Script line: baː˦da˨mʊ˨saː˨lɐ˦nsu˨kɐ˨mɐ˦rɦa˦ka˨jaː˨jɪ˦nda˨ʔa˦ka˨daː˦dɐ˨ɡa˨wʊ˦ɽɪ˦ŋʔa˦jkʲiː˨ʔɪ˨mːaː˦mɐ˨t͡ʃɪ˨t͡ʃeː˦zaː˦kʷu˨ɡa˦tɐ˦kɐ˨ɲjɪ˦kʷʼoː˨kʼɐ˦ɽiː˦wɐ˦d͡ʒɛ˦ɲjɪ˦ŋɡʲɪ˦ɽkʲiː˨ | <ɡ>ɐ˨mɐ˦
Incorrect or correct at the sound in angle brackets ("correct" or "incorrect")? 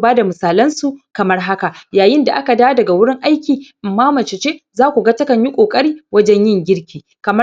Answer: incorrect